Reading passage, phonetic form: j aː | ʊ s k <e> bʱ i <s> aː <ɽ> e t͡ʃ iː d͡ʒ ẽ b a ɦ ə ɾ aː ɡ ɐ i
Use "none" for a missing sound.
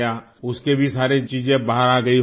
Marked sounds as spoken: e, s, ɾ

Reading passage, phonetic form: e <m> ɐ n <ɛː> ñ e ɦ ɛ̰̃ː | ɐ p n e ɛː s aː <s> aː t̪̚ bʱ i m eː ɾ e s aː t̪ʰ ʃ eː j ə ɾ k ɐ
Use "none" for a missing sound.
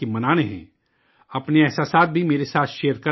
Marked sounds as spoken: m, aː, s

